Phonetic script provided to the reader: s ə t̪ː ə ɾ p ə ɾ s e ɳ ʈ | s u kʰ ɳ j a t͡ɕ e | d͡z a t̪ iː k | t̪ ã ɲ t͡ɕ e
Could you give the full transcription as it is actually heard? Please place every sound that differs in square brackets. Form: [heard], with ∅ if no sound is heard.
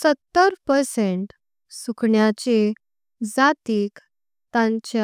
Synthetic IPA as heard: s ə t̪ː ə ɾ p ə ɾ s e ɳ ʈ | s u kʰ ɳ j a t͡ɕ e | d͡z a t̪ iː k | t̪ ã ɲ t͡ɕ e